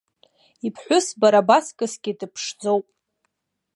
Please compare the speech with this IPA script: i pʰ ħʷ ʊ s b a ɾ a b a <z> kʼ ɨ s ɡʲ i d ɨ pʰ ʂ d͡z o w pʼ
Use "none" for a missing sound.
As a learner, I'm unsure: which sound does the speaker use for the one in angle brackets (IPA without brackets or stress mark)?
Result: s